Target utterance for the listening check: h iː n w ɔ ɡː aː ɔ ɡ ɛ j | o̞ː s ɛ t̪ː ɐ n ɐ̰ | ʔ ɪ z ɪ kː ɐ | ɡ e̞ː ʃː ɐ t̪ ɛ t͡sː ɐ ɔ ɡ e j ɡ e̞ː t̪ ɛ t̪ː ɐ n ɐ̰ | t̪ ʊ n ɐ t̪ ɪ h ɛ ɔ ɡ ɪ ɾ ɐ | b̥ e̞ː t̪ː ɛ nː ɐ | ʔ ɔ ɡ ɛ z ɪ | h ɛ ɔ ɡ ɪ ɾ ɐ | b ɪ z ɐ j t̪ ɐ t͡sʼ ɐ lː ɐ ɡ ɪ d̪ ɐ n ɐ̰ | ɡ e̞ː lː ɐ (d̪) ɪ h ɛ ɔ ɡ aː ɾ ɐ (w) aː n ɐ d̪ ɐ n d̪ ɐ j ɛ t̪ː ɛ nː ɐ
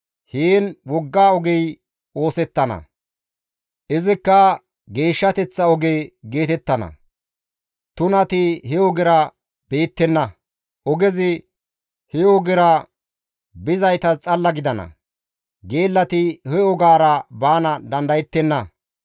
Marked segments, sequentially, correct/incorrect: incorrect: t̪, incorrect: b

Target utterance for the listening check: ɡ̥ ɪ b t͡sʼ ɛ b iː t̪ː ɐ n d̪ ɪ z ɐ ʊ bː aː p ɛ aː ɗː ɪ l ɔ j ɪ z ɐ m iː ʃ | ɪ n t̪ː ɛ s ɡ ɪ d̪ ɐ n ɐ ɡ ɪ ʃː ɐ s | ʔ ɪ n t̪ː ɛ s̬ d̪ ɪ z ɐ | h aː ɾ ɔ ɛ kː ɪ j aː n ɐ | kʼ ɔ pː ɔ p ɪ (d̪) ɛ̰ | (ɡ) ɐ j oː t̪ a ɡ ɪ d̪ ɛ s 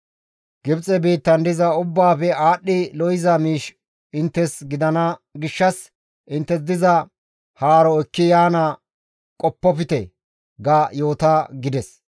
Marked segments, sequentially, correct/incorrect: incorrect: t̪, correct

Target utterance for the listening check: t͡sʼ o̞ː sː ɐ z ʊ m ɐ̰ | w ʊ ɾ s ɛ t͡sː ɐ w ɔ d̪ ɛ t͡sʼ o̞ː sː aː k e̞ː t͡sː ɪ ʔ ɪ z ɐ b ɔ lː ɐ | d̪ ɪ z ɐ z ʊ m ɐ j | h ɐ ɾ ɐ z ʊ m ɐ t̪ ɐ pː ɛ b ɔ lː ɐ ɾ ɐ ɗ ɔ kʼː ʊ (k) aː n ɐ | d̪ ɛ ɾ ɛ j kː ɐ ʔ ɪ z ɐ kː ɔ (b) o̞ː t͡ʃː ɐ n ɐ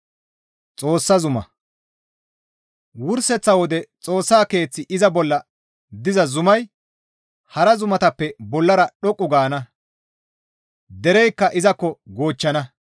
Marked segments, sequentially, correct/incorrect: incorrect: ɡ, incorrect: ɡ

